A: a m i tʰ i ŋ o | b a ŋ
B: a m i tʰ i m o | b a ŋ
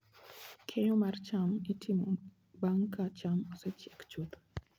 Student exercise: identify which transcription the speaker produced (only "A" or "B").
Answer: B